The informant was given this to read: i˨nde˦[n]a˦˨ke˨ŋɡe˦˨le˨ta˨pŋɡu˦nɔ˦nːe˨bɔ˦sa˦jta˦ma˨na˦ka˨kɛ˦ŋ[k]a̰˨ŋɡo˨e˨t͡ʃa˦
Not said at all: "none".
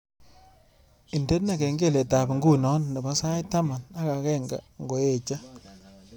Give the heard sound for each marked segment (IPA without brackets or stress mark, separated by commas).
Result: n, ɡ